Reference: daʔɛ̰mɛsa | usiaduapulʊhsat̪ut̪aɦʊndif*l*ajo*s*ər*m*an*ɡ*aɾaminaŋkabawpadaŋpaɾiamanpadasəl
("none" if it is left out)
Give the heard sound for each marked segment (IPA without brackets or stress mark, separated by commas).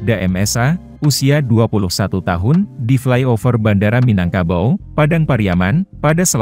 l, f, b, d